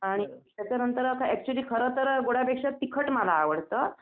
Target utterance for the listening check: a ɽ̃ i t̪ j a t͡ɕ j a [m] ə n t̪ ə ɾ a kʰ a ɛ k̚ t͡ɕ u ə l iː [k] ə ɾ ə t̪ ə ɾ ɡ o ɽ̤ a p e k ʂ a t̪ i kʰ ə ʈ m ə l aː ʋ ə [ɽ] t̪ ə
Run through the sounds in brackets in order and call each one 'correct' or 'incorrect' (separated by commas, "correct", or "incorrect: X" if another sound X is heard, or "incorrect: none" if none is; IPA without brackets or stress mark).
incorrect: n, incorrect: kʰ, correct